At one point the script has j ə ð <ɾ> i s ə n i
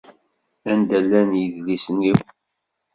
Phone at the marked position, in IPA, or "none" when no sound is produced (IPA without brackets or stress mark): l